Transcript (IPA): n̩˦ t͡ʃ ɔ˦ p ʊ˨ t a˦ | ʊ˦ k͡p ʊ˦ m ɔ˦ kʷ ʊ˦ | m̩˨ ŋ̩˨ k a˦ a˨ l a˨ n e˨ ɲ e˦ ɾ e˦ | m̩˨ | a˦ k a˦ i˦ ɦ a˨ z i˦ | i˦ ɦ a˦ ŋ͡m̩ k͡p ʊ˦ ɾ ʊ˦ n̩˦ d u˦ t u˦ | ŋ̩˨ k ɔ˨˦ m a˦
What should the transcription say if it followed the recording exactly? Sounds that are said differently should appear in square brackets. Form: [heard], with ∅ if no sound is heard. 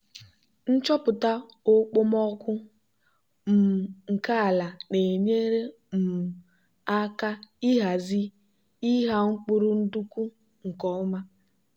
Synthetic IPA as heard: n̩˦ t͡ʃ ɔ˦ p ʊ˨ t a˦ | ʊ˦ k͡p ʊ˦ m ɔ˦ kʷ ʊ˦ | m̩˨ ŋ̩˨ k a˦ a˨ l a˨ n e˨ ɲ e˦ ɾ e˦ | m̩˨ | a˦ k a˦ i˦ ɦ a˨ z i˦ | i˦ ɦ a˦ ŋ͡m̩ k͡p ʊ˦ ɾ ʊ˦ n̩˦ d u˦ [k] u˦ | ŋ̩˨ k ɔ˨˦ m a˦